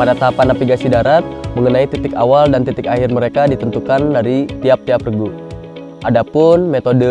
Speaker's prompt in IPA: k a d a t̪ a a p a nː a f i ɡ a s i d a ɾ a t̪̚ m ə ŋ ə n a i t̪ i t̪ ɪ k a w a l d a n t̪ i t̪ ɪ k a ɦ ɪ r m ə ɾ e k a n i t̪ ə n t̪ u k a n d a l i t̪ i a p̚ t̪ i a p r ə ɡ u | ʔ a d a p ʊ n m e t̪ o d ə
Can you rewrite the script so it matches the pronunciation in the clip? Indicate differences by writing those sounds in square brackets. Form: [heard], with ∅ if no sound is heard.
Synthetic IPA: [p] a d a t̪ a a p a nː a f i ɡ a s i d a ɾ a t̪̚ m ə ŋ ə n a i t̪ i t̪ ɪ k a w a l d a n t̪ i t̪ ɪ k a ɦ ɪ r m ə ɾ e k a [d] i t̪ ə n t̪ u k a n d a [ɾ] i t̪ i a p̚ t̪ i a p r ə ɡ u | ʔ a d a p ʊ n m e t̪ o d ə